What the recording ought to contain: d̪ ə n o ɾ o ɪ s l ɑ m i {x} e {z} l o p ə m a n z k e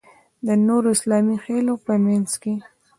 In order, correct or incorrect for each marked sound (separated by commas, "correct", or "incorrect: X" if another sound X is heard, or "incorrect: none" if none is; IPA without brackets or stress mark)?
correct, incorrect: none